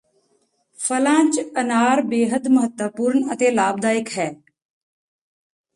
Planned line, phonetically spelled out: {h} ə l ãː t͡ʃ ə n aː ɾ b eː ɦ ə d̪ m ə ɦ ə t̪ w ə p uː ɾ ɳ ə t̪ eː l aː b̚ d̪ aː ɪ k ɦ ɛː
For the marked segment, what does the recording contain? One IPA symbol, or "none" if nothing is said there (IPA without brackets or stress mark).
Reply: f